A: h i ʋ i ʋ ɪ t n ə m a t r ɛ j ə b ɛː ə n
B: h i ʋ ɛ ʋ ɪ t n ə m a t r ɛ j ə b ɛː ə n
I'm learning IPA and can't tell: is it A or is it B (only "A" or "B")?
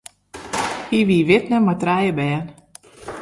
A